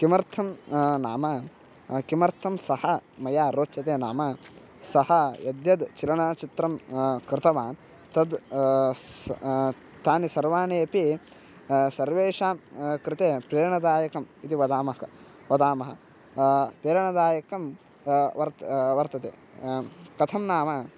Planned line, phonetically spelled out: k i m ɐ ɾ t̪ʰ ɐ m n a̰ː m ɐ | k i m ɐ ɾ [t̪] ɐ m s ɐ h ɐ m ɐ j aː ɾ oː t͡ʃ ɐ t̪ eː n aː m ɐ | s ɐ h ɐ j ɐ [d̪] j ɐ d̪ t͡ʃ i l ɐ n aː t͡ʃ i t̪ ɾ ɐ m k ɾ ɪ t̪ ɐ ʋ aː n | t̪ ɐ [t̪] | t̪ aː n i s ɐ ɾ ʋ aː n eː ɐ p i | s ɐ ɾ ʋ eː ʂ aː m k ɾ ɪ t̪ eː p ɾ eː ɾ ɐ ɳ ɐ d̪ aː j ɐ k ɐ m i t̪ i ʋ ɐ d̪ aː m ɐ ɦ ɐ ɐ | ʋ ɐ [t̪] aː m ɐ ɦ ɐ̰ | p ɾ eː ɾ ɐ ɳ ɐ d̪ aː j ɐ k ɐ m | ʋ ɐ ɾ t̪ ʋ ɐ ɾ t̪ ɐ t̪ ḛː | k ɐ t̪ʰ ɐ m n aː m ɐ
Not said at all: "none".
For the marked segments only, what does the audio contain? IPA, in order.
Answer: t̪ʰ, d̪, d̪, d̪

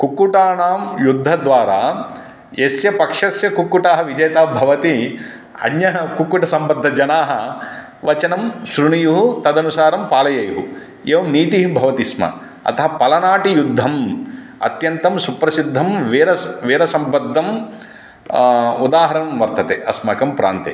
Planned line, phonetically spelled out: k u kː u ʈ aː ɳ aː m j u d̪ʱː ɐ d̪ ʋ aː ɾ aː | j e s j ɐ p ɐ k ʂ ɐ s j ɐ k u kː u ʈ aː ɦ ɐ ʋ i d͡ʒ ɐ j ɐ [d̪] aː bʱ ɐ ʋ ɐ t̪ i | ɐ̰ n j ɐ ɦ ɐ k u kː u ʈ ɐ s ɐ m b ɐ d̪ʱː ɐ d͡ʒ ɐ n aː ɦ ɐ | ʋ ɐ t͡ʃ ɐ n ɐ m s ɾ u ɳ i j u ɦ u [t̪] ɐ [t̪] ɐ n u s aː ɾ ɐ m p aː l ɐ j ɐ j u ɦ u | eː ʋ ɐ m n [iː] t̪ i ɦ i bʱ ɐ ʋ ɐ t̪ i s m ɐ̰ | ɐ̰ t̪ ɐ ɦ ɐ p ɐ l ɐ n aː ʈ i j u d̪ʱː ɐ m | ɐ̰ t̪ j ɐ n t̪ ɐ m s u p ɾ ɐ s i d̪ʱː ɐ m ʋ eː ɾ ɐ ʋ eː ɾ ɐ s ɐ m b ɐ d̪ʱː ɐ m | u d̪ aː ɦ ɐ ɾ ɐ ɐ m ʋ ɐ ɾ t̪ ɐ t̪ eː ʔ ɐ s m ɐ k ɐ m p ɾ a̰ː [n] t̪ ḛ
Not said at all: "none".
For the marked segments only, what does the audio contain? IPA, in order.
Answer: t̪, t̪, d̪, iː, n

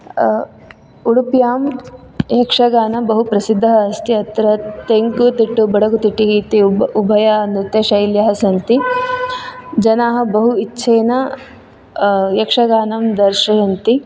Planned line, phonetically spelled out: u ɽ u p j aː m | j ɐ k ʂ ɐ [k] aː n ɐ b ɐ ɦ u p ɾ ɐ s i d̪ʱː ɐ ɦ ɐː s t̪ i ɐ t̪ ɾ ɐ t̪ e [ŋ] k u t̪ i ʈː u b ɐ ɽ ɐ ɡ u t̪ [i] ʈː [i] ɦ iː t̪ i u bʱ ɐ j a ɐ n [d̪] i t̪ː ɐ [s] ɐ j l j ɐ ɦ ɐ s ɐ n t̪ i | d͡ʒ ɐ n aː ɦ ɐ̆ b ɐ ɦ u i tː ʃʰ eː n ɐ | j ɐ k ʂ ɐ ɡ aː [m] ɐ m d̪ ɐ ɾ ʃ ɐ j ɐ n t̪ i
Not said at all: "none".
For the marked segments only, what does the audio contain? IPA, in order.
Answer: ɡ, ŋ, i, i, d̪, ʃ, n

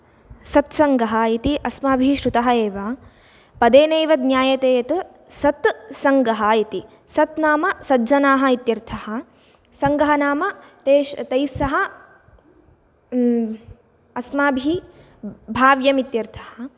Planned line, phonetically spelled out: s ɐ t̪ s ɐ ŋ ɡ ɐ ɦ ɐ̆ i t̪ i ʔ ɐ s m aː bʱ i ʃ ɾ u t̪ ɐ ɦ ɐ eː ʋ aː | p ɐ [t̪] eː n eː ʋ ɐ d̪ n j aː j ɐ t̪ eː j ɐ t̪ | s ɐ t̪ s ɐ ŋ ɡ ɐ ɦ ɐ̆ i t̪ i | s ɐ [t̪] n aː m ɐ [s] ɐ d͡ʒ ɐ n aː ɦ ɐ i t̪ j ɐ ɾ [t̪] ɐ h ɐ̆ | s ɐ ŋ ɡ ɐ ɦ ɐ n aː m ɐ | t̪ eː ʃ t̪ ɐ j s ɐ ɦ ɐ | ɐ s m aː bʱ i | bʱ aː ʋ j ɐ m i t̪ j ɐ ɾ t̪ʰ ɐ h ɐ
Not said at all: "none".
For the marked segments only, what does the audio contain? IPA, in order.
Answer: d̪, t̪, s, t̪ʰ

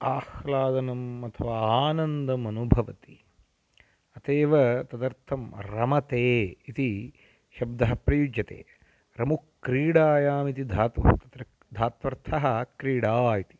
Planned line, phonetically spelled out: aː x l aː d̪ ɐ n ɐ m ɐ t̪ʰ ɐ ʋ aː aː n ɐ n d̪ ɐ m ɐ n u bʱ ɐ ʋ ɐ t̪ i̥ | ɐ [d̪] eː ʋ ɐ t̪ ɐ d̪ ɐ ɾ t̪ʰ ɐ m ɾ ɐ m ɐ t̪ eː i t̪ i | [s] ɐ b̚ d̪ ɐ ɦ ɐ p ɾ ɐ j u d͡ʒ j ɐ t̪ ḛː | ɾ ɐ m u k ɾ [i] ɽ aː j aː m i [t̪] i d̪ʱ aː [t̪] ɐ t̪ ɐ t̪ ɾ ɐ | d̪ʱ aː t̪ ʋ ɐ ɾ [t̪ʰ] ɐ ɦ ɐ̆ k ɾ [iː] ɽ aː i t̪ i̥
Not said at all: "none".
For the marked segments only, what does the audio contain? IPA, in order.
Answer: t̪, ʃ, iː, t̪, t̪, t̪ʰ, iː

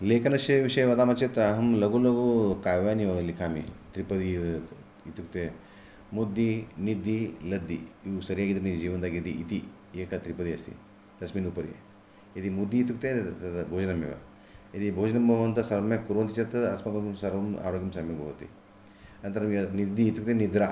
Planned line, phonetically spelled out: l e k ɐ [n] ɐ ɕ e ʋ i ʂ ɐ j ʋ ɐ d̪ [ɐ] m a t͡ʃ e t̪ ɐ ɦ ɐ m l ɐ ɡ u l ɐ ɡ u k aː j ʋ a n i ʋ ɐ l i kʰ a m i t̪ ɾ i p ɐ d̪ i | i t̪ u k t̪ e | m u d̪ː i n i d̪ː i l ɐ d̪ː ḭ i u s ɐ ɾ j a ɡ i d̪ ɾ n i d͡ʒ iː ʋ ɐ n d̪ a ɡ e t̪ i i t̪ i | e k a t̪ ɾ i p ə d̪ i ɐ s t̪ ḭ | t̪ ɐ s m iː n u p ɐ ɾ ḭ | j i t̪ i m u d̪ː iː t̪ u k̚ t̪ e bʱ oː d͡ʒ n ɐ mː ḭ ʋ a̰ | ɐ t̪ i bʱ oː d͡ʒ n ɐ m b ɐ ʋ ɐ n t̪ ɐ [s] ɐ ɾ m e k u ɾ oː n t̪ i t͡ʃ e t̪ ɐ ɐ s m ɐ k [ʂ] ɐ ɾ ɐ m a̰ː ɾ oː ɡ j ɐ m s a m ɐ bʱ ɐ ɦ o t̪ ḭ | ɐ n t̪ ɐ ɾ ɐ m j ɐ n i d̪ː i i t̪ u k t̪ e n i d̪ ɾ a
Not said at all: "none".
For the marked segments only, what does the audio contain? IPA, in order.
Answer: n, a, s, s

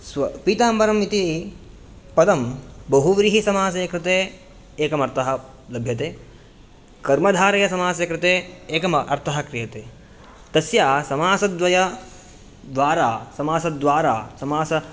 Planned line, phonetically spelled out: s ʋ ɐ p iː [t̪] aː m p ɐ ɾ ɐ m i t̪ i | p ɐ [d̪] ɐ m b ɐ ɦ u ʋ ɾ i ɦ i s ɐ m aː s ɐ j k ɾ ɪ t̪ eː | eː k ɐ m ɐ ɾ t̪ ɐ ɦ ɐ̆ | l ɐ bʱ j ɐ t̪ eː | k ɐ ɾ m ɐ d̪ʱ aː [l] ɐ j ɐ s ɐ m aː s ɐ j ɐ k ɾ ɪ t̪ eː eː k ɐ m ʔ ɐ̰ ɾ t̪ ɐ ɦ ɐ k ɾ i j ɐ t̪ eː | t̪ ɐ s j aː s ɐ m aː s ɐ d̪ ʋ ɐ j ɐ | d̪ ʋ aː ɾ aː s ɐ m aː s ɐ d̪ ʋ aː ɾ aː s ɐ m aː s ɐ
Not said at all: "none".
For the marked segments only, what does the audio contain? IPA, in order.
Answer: t̪, d̪, ɾ

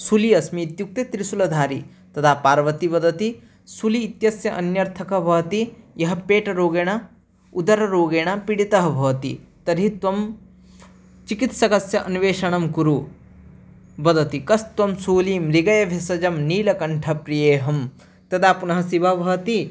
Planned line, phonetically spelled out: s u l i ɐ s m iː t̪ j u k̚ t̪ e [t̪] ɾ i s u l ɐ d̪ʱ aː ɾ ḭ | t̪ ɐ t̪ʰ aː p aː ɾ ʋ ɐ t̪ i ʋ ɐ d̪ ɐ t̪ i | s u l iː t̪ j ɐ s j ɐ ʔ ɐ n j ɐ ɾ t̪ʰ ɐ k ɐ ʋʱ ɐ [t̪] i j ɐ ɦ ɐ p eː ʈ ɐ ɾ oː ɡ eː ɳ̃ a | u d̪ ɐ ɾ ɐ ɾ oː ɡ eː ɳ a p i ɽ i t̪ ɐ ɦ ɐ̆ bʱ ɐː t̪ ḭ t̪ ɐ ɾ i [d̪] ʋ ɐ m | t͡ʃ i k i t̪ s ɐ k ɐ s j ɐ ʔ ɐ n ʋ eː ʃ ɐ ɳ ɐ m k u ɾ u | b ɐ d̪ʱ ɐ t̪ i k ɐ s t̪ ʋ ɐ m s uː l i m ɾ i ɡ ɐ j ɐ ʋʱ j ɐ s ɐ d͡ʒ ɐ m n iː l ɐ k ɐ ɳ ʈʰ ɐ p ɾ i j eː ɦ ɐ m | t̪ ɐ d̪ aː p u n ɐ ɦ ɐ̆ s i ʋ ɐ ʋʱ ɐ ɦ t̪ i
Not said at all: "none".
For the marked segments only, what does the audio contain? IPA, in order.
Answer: t̪, t̪, t̪

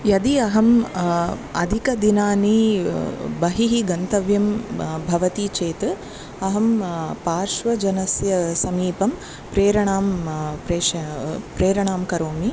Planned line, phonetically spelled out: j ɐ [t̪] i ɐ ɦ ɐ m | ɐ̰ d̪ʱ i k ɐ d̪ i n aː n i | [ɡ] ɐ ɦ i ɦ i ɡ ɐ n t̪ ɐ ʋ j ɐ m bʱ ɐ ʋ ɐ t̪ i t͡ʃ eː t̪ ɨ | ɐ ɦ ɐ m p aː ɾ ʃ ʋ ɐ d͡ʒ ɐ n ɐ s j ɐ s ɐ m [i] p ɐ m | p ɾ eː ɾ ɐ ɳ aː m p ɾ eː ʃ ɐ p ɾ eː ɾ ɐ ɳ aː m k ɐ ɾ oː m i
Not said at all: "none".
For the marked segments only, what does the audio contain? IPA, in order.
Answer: d̪, b, iː

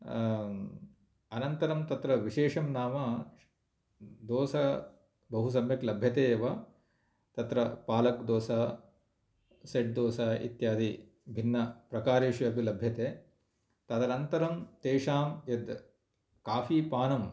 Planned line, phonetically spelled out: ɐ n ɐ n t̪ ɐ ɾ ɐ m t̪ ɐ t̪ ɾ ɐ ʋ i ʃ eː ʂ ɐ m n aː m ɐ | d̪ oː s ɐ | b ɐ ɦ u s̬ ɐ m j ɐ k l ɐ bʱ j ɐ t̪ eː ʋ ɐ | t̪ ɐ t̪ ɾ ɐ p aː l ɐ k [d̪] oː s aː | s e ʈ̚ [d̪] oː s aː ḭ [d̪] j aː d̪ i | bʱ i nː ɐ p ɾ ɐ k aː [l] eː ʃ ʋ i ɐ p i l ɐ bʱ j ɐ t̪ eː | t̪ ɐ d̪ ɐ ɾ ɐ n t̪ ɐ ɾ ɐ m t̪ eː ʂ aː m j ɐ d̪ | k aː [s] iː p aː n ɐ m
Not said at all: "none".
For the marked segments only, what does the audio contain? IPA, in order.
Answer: d̪, d̪, t̪, ɾ, f

